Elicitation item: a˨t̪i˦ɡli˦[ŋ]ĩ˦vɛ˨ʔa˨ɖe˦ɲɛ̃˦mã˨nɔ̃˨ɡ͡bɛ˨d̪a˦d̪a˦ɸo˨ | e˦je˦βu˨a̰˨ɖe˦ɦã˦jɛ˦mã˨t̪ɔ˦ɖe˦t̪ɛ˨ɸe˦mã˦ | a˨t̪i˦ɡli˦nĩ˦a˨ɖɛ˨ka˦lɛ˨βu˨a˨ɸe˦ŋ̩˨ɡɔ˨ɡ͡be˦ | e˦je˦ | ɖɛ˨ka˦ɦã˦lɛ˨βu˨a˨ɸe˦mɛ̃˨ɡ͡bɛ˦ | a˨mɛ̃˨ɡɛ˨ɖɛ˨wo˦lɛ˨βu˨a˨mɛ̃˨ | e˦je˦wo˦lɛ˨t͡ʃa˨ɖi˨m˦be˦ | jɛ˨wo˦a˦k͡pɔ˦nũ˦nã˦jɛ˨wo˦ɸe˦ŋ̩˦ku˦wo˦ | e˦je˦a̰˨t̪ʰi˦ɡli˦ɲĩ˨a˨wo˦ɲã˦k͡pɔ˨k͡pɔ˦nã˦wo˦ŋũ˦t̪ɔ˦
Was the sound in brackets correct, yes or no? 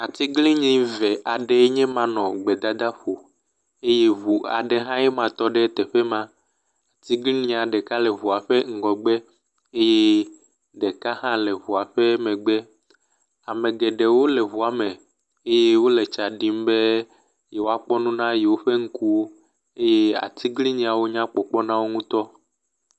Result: no